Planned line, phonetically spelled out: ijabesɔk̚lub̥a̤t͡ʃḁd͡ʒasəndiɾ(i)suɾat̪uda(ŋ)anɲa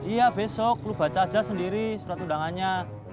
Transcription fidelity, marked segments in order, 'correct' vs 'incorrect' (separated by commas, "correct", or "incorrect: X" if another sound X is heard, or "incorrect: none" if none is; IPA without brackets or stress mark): correct, correct